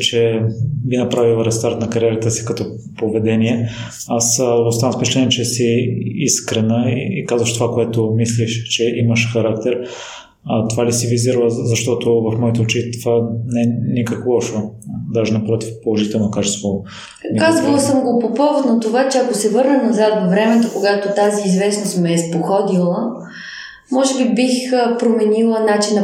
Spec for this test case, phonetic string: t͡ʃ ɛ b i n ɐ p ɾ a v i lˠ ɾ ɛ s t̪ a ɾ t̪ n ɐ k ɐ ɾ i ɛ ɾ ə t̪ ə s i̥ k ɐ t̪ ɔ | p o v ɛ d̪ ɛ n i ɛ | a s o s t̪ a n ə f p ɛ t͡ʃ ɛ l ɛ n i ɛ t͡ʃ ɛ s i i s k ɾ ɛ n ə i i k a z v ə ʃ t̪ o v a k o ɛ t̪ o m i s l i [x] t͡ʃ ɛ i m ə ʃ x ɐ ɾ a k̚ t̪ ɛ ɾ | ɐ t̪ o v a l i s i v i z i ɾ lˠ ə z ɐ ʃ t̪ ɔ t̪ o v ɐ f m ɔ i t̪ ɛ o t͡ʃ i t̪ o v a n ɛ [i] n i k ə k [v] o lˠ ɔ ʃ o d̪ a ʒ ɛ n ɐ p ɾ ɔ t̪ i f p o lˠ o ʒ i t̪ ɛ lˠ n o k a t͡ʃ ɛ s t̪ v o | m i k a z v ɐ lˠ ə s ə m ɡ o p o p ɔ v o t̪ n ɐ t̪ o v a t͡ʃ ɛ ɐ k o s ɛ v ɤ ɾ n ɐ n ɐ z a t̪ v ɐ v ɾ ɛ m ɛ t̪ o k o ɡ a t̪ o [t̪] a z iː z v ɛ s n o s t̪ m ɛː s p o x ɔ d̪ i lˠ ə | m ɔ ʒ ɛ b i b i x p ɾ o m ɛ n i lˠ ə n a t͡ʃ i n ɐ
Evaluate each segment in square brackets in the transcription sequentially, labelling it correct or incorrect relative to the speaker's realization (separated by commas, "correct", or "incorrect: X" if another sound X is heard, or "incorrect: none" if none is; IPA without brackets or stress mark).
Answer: incorrect: ʃ, incorrect: ɛ, correct, correct